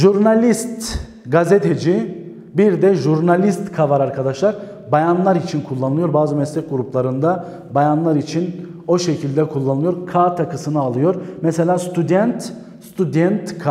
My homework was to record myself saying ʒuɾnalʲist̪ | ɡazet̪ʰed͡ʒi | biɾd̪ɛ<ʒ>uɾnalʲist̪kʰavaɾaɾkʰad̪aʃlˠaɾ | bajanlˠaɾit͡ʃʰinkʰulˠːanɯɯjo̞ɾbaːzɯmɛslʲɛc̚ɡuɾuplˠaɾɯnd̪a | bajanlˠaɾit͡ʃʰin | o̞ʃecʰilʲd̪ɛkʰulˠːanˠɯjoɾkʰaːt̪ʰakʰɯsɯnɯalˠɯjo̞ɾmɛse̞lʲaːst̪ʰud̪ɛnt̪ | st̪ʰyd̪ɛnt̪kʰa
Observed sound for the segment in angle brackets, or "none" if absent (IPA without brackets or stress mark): ʒ